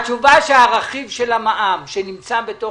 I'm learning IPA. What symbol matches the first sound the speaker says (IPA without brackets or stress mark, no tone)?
t͡ʃ